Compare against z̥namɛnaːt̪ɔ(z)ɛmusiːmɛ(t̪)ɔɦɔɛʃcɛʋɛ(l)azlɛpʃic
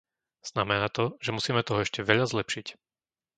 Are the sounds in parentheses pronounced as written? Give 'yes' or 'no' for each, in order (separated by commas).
no, yes, no